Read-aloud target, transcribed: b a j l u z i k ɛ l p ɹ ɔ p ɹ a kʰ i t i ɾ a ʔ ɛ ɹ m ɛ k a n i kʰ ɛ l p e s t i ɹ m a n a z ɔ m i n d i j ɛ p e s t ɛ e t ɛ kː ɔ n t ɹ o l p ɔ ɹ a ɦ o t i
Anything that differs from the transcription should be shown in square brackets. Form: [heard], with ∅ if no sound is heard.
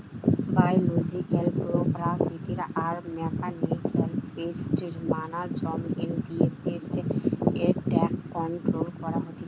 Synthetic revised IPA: b a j l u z i k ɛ l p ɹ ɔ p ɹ a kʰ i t i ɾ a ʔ [a] ɹ m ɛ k a n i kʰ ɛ l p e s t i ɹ m a n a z ɔ m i n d i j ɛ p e s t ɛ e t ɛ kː ɔ n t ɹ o l [k] ɔ ɹ a ɦ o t i

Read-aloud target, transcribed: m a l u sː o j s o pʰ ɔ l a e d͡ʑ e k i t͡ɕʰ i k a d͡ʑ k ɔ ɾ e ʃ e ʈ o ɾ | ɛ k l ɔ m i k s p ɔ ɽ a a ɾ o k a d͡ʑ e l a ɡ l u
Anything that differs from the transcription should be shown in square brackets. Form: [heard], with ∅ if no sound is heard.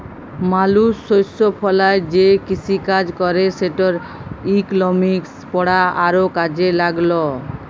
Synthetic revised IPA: m a l u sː o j s o pʰ ɔ l a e d͡ʑ e k i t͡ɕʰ i k a d͡ʑ k ɔ ɾ e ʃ e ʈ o ɾ | [i] k l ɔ m i k s p ɔ ɽ a a ɾ o k a d͡ʑ e l a ɡ l [o]

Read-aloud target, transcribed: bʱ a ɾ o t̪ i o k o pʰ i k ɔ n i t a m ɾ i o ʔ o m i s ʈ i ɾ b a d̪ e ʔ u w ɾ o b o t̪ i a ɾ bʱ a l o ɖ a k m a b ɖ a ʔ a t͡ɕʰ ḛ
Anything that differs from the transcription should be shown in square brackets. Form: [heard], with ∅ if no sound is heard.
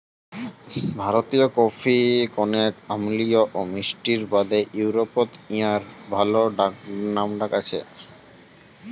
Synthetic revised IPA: bʱ a ɾ o t̪ i o k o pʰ i k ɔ n [e] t a m [l] i o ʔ o m i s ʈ i ɾ b a d̪ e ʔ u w ɾ o [p] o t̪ i a ɾ bʱ a l o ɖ a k [n] a [m] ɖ a [k] a t͡ɕʰ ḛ

